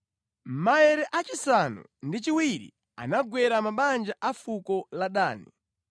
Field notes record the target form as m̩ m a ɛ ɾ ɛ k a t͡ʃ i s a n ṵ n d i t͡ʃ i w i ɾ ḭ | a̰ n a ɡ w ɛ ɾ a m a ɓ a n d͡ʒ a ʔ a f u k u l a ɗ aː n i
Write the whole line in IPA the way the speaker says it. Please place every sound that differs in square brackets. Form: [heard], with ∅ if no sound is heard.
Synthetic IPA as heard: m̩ m a ɛ ɾ ɛ [ʔ] a t͡ʃ i s a n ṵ n d i t͡ʃ i w i ɾ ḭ | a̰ n a ɡ w ɛ ɾ a m a ɓ a n d͡ʒ a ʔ a f u k [ɔ] l a ɗ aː n i